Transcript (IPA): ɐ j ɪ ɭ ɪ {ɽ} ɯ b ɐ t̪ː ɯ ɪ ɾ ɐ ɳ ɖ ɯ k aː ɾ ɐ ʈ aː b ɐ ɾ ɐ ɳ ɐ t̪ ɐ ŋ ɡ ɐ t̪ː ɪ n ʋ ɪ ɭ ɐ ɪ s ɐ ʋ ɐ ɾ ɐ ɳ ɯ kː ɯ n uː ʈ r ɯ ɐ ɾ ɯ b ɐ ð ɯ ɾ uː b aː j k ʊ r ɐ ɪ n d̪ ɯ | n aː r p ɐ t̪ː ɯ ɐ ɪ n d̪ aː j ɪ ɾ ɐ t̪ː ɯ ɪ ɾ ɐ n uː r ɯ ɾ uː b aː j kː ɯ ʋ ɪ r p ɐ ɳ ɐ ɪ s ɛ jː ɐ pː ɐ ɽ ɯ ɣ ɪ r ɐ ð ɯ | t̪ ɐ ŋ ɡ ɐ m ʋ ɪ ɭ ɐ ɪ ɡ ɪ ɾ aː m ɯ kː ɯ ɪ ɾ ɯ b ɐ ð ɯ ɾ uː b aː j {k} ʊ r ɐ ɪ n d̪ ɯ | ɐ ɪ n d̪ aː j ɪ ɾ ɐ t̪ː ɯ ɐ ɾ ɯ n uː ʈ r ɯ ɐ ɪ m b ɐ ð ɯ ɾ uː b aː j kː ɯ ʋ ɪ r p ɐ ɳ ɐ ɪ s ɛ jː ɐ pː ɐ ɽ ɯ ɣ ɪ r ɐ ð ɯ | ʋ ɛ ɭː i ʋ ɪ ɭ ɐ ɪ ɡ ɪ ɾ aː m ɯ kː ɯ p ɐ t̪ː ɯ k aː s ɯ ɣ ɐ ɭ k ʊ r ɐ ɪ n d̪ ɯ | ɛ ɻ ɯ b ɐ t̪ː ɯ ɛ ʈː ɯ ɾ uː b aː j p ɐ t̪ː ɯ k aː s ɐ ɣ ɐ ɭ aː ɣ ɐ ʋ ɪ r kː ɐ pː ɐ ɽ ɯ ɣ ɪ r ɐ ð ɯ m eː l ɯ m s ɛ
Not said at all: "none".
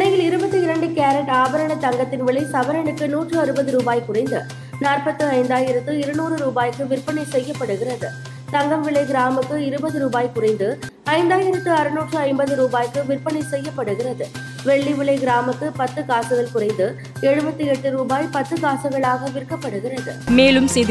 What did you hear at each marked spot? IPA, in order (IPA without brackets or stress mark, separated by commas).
ɾ, k